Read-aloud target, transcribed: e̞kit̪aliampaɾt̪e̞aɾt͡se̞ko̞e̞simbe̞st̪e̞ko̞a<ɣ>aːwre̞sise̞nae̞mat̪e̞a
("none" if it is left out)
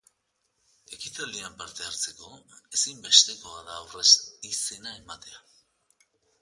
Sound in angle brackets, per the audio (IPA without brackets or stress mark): ð